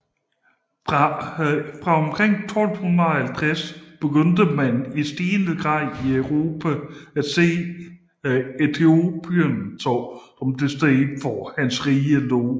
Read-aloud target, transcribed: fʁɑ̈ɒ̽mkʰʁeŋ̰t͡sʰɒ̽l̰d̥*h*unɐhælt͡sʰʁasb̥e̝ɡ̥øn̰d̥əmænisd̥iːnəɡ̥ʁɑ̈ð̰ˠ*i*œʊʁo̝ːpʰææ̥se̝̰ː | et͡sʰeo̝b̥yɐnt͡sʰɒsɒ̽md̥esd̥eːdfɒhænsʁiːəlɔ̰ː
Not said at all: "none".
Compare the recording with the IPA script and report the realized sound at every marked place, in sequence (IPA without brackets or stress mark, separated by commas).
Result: h, i